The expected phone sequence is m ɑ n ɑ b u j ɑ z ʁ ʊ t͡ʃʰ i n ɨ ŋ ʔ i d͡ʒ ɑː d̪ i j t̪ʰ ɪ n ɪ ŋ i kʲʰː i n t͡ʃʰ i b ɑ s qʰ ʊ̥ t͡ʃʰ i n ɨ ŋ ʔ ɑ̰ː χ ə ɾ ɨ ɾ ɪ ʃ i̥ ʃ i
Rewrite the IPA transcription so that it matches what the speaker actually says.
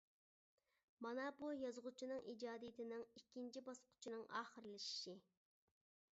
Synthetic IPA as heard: m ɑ n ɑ b u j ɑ z ʁ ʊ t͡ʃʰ i n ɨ ŋ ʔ i d͡ʒ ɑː d̪ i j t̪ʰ ɪ n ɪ ŋ i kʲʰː i n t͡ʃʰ i b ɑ s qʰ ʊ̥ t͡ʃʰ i n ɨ ŋ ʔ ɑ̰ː χ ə ɾ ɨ l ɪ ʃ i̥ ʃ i